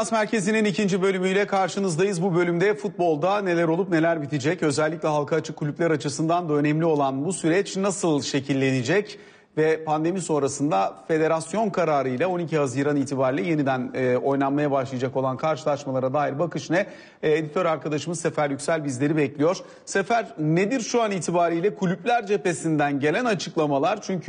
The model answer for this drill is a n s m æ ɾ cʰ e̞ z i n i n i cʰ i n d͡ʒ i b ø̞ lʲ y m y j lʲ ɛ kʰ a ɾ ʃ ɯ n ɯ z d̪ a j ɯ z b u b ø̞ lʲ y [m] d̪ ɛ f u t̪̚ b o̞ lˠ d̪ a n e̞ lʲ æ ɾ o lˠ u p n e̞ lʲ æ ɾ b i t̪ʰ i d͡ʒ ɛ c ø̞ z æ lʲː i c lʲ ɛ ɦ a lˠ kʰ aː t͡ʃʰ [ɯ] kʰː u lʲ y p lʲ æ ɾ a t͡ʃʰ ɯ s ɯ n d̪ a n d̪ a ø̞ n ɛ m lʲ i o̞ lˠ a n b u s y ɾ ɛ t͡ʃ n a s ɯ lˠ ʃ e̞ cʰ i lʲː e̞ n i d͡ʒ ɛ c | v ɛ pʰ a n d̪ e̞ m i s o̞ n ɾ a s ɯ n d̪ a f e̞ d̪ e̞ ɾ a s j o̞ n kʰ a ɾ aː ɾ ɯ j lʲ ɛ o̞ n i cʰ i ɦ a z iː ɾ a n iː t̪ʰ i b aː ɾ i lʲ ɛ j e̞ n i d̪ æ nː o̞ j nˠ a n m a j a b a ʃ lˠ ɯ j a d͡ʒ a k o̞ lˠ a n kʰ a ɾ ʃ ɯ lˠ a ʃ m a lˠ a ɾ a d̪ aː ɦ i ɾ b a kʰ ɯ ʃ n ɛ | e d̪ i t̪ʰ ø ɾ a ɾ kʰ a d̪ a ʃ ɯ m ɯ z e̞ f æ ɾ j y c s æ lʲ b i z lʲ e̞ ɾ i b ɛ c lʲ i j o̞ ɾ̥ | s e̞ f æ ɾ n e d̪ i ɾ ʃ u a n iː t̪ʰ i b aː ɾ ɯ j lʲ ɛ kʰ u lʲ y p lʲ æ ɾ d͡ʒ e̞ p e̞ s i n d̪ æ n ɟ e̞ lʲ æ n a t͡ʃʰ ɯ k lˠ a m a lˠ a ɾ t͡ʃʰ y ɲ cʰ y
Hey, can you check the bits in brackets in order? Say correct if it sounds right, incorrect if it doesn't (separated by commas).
correct, correct